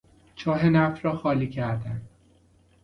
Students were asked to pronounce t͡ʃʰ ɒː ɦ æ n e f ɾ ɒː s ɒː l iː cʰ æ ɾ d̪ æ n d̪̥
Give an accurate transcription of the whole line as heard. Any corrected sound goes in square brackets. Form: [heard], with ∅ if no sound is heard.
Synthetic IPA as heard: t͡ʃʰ ɒː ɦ [e] n [æ] f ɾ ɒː [x] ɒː l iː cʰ æ ɾ d̪ æ n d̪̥